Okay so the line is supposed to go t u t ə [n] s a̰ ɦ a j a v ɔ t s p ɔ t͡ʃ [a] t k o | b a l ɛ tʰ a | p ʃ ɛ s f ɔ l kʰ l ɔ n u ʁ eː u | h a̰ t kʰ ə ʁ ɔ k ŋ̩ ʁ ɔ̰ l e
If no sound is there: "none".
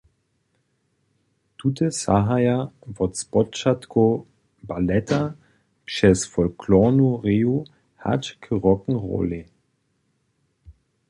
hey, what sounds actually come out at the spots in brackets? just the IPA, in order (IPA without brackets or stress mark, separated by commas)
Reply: none, a